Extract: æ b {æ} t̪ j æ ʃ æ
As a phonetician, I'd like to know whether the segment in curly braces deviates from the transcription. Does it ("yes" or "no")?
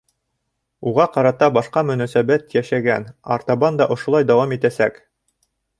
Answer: no